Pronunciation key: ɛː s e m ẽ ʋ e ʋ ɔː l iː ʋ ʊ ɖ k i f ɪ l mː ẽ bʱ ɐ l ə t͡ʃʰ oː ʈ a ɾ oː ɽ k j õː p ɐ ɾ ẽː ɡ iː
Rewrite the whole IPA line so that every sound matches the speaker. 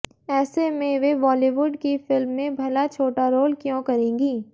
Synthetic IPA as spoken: ɛː s e m ẽ ʋ e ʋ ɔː l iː ʋ ʊ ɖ k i f ɪ l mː ẽ bʱ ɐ l a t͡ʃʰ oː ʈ a ɾ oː l k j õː k ɐ ɾ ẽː ɡ iː